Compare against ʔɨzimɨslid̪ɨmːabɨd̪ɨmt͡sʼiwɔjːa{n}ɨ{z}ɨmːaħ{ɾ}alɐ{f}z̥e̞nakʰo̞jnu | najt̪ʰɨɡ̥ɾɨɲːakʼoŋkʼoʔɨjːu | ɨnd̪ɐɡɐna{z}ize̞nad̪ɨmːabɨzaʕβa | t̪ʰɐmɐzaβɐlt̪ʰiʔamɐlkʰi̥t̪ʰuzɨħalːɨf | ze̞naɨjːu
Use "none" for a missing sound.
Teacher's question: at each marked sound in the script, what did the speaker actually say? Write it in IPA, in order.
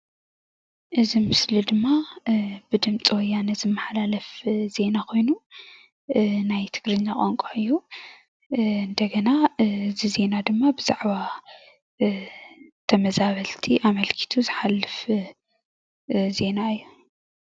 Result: n, z, l, f, z

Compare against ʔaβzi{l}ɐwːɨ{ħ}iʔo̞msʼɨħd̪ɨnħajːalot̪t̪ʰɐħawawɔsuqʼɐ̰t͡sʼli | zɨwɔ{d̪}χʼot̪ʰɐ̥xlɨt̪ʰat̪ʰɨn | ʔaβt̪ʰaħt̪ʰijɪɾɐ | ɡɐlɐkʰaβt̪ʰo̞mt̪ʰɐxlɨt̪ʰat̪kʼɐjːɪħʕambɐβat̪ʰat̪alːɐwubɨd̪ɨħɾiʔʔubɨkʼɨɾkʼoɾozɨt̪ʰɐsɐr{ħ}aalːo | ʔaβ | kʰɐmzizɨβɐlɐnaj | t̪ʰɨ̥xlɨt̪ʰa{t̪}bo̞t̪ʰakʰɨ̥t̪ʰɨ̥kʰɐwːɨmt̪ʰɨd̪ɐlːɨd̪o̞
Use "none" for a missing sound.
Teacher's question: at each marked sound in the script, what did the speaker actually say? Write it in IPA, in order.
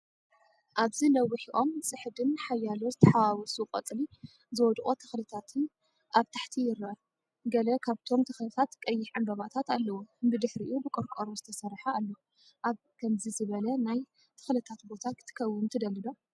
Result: l, ħ, d̪, ħ, t̪

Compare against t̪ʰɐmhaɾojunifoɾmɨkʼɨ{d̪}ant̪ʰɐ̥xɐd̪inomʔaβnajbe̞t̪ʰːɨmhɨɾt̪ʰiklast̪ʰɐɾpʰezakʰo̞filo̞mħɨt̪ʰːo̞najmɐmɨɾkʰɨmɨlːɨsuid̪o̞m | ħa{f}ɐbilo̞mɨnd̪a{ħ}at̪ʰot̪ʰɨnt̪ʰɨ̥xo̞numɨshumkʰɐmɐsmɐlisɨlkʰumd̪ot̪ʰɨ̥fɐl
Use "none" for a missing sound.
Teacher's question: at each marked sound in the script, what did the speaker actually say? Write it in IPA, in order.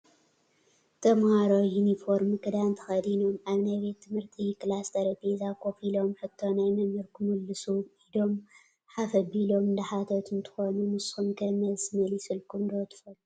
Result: d̪, f, ħ

